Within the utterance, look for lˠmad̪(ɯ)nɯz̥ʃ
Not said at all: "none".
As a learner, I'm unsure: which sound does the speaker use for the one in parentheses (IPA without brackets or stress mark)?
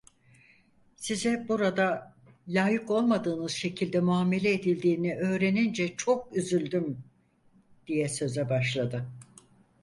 ɯː